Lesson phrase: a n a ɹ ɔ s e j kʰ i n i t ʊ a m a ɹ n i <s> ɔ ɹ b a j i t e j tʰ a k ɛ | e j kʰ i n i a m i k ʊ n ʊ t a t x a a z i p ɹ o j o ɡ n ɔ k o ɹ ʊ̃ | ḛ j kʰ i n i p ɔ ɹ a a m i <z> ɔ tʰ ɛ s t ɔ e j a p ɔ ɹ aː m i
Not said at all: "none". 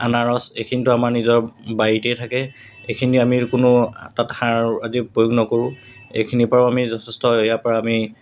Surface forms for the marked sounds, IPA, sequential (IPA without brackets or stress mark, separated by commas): z, z